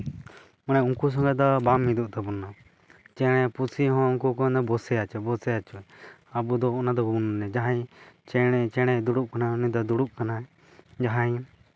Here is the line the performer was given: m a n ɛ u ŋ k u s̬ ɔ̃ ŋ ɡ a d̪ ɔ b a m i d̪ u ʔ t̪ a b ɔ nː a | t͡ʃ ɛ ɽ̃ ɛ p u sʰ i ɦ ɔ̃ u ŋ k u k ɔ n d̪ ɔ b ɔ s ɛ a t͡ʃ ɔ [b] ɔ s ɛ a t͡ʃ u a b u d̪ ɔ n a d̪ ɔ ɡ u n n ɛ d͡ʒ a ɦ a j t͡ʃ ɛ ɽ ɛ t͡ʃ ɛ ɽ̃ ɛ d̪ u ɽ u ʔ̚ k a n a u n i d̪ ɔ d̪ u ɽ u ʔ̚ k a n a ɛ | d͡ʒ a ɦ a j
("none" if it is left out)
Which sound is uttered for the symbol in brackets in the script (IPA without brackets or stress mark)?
b